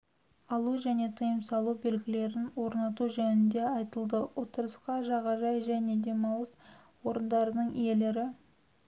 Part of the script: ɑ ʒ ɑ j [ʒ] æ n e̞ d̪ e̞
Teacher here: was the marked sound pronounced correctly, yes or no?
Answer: yes